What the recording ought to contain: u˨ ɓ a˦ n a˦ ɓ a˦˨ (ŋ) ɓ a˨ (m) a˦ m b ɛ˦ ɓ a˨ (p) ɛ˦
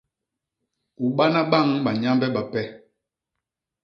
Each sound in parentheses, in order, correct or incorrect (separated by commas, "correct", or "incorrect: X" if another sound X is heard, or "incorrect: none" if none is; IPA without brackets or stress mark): correct, incorrect: ɲ, correct